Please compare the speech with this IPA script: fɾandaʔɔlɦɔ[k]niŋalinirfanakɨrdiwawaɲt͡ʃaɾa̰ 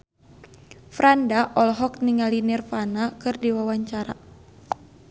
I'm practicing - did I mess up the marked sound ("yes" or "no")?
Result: no